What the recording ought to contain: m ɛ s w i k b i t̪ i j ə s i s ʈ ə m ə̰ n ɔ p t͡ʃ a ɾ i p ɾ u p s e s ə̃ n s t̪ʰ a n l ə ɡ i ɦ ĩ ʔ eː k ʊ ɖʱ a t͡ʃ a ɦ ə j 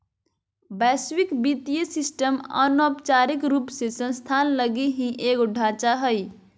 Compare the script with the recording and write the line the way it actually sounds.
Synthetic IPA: b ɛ s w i k b i t̪ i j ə s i s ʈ ə m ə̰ n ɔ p t͡ʃ a ɾ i k ɾ u p s e s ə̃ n s t̪ʰ a n l ə ɡ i ɦ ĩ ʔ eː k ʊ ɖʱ a t͡ʃ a ɦ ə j